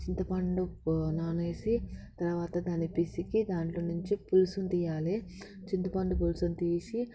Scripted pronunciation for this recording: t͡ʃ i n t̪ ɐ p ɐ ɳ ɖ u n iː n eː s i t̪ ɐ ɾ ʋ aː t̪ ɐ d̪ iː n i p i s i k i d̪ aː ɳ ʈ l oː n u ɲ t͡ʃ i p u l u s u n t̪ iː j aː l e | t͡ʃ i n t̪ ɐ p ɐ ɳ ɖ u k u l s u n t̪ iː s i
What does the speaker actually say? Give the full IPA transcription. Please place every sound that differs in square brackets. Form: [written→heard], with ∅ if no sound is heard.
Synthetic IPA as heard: t͡ʃ i n t̪ ɐ p ɐ ɳ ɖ u n [iː→aː] n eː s i t̪ ɐ ɾ ʋ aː t̪ ɐ d̪ [iː→aː] n i p i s i k i d̪ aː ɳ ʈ l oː n u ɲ t͡ʃ i p u l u s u n t̪ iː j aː l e | t͡ʃ i n t̪ ɐ p ɐ ɳ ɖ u [k→p] u l s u n t̪ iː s i